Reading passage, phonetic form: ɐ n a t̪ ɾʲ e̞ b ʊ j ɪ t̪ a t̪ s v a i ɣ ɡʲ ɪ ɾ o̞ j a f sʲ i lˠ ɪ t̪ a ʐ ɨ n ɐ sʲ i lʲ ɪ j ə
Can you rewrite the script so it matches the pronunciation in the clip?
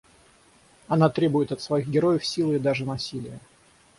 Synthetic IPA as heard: ɐ n a t̪ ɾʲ e̞ b ʊ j ɪ t̪ ɐ t̪ s v ɐ i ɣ ɡʲ ɪ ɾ o̞ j ə f sʲ i lˠ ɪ d̪ a ʐ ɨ n ɐ sʲ i lʲ ɪ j ə